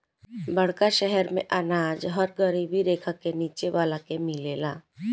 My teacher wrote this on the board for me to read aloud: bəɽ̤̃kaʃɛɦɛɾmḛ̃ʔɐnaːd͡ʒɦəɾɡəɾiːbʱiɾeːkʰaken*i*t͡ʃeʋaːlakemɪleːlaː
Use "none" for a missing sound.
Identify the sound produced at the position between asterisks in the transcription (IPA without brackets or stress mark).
iː